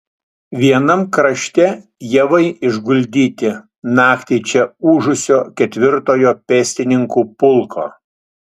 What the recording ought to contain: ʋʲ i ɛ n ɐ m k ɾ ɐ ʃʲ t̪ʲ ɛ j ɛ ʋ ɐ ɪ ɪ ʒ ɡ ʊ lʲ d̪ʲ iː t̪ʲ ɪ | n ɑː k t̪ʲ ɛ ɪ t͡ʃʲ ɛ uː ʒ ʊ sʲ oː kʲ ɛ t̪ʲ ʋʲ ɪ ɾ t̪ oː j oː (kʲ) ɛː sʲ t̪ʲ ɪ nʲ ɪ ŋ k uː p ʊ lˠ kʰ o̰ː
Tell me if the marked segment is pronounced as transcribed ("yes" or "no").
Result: no